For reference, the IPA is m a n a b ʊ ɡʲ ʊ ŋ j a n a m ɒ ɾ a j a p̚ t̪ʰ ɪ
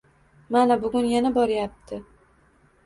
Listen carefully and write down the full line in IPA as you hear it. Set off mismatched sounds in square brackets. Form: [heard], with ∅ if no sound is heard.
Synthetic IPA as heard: m a n a b ʊ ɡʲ ʊ [n] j a n a [b] ɒ ɾ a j a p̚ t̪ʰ ɪ